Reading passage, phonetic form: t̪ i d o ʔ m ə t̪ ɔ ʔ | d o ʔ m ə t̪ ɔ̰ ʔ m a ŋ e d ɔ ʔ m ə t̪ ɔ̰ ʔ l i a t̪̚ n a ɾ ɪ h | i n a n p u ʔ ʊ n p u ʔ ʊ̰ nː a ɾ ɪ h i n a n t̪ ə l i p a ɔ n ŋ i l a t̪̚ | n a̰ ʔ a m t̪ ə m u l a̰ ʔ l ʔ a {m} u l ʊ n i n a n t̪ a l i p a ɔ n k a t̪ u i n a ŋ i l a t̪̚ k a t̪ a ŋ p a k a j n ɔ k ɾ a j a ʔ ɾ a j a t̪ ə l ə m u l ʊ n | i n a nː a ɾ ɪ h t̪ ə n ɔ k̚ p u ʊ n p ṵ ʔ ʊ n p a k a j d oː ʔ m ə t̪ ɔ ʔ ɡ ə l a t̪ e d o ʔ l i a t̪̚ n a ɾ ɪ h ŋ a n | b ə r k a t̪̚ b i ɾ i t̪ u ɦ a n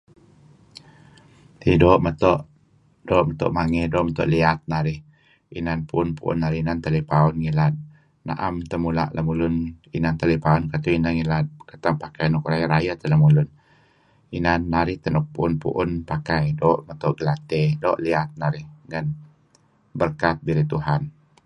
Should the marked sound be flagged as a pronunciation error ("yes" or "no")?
no